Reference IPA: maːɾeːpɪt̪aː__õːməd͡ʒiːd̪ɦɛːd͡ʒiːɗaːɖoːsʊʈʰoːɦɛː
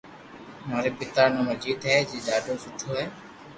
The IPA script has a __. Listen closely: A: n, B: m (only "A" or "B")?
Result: A